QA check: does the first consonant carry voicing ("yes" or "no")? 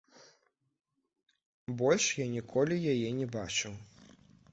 yes